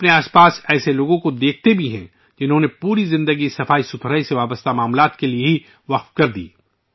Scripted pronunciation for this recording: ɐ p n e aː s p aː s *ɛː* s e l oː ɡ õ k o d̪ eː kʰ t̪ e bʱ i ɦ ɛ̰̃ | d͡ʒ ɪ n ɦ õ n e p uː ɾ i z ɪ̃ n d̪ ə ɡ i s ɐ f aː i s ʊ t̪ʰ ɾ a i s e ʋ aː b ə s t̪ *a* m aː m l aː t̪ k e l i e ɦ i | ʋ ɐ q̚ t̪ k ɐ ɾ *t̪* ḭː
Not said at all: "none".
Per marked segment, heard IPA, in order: ɛː, a, d̪

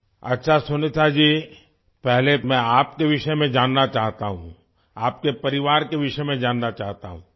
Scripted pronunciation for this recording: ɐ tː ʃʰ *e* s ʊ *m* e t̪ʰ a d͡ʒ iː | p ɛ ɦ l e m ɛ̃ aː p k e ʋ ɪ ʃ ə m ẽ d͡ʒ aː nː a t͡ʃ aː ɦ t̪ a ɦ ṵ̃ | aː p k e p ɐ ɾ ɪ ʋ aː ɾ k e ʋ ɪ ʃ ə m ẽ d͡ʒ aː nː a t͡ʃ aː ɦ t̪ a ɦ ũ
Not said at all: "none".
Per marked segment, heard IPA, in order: a, n

